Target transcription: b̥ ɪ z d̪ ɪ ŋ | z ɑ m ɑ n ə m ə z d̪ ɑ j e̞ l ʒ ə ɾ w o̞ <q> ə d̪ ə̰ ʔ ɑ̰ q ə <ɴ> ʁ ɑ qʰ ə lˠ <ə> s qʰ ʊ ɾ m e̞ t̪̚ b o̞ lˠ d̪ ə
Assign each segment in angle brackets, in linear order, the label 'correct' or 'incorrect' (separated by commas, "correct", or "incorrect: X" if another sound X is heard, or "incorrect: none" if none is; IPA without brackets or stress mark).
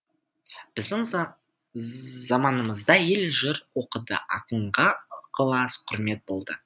correct, correct, incorrect: ɑ